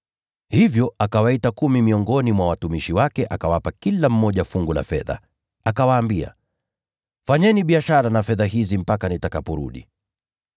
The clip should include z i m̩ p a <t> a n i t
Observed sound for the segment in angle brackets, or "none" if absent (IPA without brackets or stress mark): k